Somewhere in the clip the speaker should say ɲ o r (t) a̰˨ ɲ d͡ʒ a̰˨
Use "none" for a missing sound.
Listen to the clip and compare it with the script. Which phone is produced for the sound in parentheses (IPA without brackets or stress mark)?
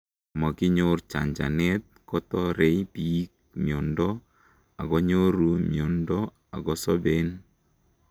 t͡ʃ